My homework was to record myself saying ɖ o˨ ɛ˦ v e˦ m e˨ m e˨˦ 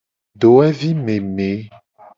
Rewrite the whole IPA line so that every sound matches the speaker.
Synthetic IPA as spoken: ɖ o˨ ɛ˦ v i˦ m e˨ m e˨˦